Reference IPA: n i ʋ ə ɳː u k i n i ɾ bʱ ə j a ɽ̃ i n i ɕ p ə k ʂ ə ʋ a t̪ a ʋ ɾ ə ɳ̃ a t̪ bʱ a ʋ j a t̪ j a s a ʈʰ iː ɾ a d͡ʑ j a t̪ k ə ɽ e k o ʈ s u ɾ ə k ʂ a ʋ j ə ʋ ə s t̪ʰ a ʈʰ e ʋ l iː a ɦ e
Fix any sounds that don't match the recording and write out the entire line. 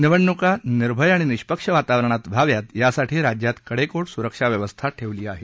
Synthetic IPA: n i ʋ ə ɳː u k a n i ɾ bʱ ə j a ɽ̃ i n i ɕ p ə k ʂ ə ʋ a t̪ a ʋ ɾ ə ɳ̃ a t̪ bʱ a ʋ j a t̪ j a s a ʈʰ iː ɾ a d͡ʑ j a t̪ k ə ɽ e k o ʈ s u ɾ ə k ʂ a ʋ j ə ʋ ə s t̪ʰ a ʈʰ e ʋ l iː a ɦ e